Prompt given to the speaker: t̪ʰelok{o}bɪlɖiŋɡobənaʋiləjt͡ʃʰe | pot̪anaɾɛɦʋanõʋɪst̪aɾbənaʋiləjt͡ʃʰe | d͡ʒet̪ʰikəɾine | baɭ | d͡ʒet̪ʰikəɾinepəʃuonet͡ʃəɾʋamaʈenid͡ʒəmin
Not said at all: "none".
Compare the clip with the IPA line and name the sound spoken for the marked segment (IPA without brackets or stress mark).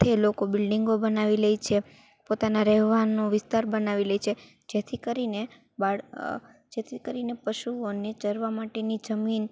o